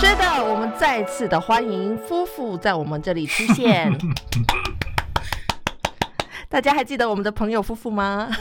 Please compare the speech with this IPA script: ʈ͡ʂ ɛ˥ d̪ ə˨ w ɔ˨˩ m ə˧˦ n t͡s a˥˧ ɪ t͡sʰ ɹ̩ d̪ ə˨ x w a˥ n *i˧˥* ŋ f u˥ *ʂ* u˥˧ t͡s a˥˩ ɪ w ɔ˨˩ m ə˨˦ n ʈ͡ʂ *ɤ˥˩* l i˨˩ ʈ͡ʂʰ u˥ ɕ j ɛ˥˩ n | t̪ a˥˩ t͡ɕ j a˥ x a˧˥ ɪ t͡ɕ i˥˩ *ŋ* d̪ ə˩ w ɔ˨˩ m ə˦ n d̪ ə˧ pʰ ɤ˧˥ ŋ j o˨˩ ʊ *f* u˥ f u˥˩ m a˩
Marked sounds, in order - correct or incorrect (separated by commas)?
correct, incorrect, correct, incorrect, correct